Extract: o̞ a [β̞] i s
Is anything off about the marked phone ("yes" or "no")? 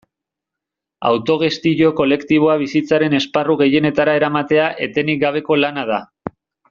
no